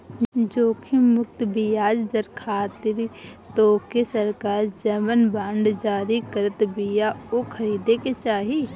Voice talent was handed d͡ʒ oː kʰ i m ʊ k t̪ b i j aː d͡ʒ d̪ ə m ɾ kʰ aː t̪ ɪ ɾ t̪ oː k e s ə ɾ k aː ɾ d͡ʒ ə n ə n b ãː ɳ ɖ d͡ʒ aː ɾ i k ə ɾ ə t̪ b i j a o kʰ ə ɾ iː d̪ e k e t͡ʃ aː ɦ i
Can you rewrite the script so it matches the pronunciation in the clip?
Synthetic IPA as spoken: d͡ʒ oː kʰ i m ʊ k t̪ b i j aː d͡ʒ d̪ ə ɾ kʰ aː t̪ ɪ ɾ t̪ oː k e s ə ɾ k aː ɾ d͡ʒ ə m ə n b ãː ɳ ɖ d͡ʒ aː ɾ i k ə ɾ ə t̪ b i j a o kʰ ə ɾ iː d̪ e k e t͡ʃ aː ɦ i